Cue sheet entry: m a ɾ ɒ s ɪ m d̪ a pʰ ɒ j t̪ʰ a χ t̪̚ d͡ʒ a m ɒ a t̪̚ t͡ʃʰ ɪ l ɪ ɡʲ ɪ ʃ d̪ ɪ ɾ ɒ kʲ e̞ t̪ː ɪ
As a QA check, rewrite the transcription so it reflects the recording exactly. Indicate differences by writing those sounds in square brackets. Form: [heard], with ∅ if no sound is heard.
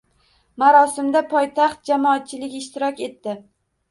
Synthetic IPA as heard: m a ɾ ɒ s ɪ m d̪ a pʰ ɒ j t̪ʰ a χ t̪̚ d͡ʒ a m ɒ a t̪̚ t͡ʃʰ ɪ l ɪ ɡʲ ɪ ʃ [t̪] ɪ ɾ ɒ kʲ e̞ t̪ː ɪ